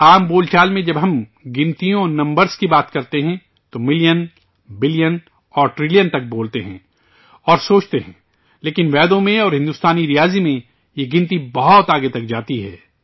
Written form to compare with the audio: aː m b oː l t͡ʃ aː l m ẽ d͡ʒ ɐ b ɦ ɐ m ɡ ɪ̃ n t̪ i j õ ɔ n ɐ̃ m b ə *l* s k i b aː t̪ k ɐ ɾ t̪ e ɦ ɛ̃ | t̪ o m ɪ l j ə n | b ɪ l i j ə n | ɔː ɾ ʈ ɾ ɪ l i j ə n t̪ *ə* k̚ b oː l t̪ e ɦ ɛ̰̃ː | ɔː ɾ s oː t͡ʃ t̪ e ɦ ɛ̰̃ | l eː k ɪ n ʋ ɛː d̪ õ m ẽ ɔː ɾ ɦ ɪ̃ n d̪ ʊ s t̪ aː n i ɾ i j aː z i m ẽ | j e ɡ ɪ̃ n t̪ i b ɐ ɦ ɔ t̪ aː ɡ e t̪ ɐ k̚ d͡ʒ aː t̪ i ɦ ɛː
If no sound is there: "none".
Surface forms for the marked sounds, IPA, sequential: ɾ, ɐ

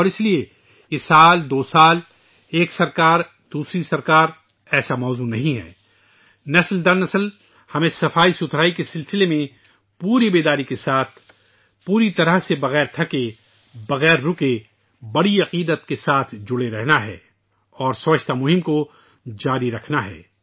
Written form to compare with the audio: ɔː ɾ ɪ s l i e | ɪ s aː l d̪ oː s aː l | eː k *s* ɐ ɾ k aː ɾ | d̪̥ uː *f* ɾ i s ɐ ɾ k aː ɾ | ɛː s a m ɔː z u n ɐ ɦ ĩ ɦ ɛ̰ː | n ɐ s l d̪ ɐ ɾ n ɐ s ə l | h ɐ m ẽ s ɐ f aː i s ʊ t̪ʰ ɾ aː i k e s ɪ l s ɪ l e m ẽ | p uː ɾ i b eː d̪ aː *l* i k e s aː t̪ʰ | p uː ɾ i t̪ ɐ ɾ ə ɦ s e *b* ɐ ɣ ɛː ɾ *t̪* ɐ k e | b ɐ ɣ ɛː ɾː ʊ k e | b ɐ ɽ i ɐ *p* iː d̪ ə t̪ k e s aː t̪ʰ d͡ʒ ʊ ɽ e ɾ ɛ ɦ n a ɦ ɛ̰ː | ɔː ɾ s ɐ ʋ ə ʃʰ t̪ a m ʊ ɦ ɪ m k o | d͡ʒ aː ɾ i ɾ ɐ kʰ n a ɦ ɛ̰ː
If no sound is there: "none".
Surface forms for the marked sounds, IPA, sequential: s, s, ɾ, b, t̪ʰ, q

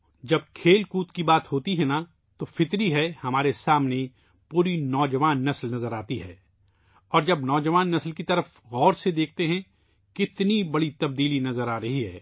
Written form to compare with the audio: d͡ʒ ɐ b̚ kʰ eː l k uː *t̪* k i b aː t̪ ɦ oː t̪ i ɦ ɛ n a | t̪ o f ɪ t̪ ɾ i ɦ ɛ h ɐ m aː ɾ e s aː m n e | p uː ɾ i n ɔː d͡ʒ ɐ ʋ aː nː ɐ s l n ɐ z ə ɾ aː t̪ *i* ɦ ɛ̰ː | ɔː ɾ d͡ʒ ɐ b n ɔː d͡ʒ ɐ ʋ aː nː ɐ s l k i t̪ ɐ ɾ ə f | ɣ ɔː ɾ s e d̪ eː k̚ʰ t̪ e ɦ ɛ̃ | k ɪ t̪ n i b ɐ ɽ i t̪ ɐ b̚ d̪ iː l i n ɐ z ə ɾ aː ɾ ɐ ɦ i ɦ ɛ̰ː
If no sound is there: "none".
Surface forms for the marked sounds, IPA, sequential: t̪, i

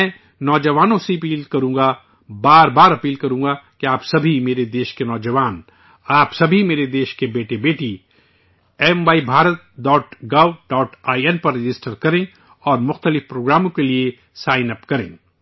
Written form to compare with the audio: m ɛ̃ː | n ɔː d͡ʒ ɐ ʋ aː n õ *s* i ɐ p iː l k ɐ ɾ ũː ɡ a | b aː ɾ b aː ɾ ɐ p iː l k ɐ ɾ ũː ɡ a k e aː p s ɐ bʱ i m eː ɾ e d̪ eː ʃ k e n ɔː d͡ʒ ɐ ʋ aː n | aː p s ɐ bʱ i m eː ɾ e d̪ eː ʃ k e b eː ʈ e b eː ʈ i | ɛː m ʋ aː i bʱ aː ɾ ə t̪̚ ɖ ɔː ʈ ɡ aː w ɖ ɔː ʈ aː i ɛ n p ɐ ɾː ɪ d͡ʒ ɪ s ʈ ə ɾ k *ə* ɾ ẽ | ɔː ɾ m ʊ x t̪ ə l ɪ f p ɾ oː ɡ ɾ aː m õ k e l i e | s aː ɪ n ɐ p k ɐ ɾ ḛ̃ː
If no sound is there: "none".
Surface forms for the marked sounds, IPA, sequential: s, ɐ

